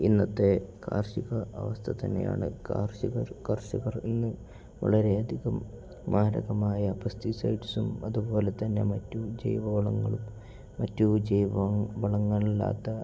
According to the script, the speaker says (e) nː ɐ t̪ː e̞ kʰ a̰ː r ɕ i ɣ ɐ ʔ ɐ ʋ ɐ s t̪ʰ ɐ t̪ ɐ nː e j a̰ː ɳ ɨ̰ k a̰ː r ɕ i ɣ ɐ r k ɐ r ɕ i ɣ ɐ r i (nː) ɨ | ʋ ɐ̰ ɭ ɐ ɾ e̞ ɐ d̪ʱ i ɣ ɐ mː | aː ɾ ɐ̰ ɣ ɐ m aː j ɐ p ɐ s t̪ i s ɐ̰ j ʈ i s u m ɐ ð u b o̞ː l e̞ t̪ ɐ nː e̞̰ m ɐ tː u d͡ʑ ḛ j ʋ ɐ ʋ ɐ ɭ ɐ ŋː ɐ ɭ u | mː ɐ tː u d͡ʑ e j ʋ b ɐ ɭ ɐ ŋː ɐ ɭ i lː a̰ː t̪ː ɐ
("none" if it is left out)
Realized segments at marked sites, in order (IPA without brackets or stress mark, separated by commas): i, nː